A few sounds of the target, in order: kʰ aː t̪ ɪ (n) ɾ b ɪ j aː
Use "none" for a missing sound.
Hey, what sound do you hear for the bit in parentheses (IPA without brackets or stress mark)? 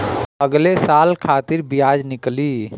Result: none